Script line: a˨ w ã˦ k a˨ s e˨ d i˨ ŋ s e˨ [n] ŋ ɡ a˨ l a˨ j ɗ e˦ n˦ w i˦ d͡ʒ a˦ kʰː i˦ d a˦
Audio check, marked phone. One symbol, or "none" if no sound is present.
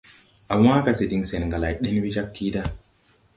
n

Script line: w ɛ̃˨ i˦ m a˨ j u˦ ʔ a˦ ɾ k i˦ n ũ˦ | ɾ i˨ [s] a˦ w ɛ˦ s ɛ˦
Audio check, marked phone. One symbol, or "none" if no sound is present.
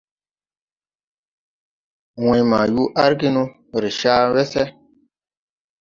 ʃ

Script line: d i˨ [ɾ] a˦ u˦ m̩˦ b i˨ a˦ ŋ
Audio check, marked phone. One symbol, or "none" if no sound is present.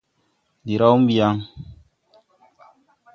ɾ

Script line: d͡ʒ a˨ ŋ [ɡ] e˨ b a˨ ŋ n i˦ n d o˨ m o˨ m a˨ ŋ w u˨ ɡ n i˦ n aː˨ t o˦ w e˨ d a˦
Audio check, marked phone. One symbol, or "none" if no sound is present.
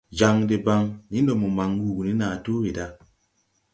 d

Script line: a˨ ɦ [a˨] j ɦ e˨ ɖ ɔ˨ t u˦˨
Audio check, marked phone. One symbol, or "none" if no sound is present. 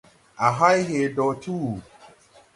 a˦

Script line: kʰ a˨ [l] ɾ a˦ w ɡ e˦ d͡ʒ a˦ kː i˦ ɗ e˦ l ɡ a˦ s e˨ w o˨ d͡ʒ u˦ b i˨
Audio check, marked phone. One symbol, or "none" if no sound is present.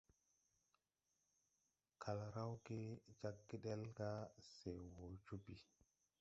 l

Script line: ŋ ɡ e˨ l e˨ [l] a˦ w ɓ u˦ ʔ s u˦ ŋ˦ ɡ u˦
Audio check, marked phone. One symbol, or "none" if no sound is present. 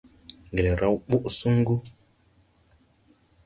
ɾ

